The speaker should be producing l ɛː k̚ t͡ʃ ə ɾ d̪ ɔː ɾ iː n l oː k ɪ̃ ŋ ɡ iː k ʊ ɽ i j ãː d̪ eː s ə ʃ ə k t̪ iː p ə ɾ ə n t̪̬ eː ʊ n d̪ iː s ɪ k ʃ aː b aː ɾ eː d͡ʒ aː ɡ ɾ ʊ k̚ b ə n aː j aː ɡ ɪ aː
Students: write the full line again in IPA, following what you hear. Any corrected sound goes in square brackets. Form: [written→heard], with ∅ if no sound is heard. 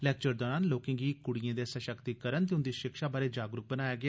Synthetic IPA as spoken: l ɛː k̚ t͡ʃ ə ɾ d̪ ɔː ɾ [iː→aː] n l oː k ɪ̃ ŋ ɡ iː k ʊ ɽ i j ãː d̪ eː s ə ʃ ə k t̪ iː [p→k] ə ɾ ə n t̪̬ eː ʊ n d̪ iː [s→ʃ] ɪ k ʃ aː b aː ɾ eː d͡ʒ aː ɡ ɾ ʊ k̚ b ə n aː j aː ɡ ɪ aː